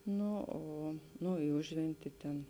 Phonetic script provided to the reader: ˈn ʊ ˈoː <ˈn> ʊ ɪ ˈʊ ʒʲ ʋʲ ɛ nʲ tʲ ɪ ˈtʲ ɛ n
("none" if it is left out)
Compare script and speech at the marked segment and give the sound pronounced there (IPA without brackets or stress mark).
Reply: n